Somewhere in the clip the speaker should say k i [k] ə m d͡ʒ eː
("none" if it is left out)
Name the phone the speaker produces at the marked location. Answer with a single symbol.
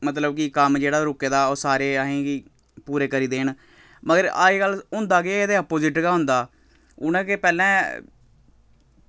k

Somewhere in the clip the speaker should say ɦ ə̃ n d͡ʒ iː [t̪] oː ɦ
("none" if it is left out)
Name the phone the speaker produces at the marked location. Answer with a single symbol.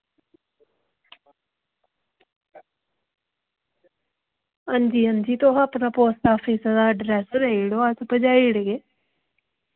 t̪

